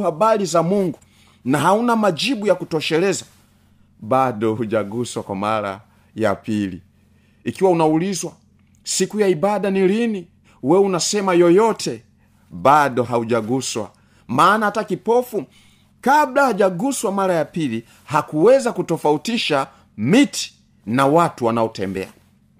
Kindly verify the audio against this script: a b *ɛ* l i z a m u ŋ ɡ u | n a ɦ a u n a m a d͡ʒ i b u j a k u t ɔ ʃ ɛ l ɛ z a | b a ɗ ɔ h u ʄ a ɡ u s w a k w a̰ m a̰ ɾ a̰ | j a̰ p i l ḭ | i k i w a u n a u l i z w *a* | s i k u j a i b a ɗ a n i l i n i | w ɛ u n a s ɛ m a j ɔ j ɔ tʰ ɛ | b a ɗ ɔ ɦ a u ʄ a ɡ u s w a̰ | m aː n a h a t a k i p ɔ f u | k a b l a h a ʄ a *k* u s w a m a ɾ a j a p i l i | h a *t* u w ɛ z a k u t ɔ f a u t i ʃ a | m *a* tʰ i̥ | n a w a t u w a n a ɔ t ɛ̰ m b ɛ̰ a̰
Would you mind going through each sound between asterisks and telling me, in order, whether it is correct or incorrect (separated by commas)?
incorrect, correct, incorrect, incorrect, incorrect